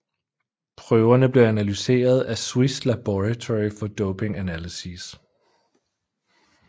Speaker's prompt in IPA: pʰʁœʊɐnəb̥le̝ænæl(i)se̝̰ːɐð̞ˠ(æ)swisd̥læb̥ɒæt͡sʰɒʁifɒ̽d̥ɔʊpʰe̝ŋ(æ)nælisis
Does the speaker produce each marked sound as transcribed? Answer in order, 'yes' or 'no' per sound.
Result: no, yes, yes

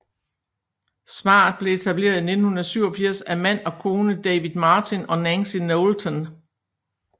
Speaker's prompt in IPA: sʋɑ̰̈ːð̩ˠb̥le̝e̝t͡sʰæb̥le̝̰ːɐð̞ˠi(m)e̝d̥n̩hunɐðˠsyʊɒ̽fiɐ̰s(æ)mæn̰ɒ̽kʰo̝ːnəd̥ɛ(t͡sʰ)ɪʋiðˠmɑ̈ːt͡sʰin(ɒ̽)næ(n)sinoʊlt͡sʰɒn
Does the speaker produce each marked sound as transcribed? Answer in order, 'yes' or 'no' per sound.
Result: no, yes, no, yes, yes

